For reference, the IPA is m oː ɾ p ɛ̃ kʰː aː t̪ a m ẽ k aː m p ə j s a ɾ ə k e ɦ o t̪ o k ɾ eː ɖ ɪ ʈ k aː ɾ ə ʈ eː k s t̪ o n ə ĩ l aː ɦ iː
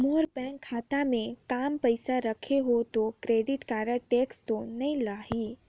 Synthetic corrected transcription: m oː ɾ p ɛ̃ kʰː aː t̪ a m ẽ k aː m p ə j s a ɾ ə kʰ e ɦ o t̪ o k ɾ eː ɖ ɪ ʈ k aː ɾ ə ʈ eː k s t̪ o n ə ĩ l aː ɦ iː

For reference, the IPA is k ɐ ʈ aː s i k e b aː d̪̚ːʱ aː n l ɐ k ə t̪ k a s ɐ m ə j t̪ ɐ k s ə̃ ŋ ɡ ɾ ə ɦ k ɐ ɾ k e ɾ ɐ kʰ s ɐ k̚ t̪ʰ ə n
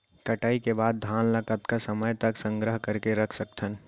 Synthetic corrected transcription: k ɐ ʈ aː i k e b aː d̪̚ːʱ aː n l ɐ k ə t̪ k a s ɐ m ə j t̪ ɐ k s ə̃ ŋ ɡ ɾ ə ɦ k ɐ ɾ k e ɾ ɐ kʰ s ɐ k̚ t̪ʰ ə n

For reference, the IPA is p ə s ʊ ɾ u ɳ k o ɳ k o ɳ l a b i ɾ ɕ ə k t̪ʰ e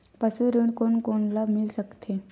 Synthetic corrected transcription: p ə s u ɾ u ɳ k o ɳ k o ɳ l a m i l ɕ ə k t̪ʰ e

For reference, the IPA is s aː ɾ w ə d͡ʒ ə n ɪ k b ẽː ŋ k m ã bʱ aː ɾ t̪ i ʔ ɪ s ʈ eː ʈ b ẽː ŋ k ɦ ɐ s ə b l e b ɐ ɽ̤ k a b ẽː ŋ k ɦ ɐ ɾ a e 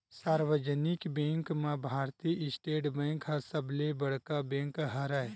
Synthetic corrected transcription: s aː ɾ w ə d͡ʒ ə n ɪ k b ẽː ŋ k m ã bʱ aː ɾ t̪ i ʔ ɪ s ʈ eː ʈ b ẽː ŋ k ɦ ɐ s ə b l e b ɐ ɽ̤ k a b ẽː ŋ k ɦ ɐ ɾ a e

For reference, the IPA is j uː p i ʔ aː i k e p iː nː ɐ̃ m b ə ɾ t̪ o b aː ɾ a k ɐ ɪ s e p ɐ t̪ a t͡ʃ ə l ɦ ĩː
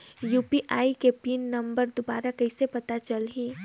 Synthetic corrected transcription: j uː p i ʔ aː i k e p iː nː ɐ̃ m b ə ɾ d̪ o b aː ɾ a k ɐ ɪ s e p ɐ t̪ a t͡ʃ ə l ɦ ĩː

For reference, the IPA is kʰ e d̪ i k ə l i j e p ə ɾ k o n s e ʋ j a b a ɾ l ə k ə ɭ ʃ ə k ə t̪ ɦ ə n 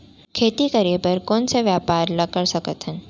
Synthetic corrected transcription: kʰ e t̪ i k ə ɾ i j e p ə ɾ k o n s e ʋ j a p a ɾ l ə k ə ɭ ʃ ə k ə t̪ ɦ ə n

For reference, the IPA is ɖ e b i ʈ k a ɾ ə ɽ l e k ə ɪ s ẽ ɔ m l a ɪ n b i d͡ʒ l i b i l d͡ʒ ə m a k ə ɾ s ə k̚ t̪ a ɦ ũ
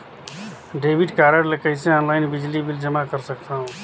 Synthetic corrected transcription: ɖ e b i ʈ k a ɾ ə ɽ l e k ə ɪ s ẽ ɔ n l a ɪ n b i d͡ʒ l i b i l d͡ʒ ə m a k ə ɾ s ə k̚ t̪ a ɦ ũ

